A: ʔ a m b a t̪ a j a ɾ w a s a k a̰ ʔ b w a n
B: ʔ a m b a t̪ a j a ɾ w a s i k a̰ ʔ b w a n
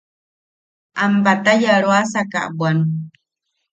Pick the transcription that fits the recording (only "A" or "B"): A